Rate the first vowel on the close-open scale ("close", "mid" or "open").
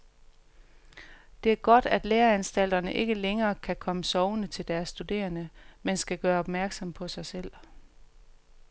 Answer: mid